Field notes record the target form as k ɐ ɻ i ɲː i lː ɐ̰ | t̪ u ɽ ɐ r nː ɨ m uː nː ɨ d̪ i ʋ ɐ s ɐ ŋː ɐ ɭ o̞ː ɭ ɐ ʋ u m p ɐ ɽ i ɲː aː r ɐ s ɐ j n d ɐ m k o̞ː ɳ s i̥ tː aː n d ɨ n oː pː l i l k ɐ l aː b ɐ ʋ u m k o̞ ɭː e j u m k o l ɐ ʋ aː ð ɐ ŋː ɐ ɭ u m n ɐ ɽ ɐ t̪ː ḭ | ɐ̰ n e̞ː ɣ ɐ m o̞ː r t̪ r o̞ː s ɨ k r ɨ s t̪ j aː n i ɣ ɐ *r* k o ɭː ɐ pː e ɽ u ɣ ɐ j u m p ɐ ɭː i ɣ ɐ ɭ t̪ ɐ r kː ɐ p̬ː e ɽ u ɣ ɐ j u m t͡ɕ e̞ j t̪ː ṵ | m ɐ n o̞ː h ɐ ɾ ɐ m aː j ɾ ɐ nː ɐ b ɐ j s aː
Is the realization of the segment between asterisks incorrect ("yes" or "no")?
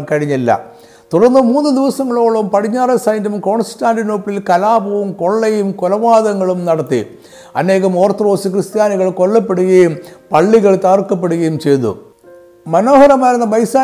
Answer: yes